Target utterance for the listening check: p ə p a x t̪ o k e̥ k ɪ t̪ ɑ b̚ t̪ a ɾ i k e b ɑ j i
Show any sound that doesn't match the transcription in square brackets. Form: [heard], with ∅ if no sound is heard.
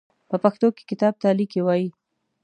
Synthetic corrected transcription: p ə p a x t̪ o k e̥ k ɪ t̪ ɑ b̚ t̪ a [l] i k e [w] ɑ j i